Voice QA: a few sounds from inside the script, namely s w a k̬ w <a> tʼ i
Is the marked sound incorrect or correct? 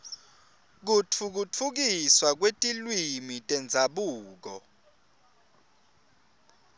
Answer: incorrect